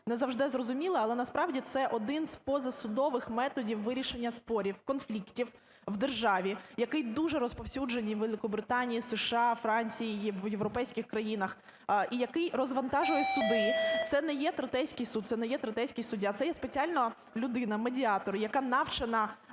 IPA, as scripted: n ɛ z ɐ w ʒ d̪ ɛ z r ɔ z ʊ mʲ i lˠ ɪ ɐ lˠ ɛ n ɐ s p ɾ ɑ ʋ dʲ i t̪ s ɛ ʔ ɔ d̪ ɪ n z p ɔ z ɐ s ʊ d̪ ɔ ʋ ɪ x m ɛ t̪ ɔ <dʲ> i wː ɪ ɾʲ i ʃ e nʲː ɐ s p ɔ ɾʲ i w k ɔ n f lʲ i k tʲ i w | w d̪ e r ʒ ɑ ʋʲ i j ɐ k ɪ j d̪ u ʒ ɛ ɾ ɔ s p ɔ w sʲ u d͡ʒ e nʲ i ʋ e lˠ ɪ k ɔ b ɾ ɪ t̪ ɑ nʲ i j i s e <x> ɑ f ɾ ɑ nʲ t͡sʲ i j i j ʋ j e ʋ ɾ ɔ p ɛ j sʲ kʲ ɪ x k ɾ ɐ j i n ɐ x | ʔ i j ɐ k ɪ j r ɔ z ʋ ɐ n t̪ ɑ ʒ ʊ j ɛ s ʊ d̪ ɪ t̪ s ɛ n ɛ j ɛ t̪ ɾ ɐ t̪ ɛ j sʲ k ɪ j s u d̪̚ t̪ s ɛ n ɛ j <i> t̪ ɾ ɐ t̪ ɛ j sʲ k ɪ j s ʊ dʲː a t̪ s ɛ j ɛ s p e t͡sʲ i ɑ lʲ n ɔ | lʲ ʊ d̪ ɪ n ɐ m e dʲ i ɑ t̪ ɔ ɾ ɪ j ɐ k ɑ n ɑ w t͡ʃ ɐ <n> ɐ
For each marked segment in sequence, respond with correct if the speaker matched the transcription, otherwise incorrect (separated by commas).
correct, incorrect, incorrect, correct